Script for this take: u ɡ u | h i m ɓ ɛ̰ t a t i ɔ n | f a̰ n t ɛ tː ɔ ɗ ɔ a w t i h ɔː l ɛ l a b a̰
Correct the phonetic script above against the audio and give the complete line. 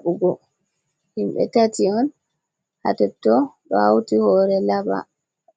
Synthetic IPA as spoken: u ɡ ɔ | h i m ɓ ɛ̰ t a t i ɔ n | h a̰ t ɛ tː ɔ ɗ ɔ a w t i h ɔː ɾ ɛ l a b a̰